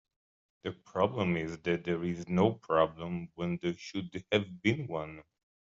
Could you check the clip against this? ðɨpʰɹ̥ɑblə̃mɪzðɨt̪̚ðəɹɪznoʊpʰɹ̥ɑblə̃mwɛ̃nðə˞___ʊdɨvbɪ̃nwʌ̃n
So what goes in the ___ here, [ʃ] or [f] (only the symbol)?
ʃ